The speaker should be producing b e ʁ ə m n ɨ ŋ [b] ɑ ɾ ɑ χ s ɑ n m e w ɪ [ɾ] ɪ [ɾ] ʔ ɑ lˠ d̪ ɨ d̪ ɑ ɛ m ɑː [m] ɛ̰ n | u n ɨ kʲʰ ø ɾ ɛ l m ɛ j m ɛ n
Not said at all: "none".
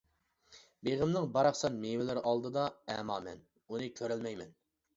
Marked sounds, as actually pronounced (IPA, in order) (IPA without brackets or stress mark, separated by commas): b, l, ɾ, m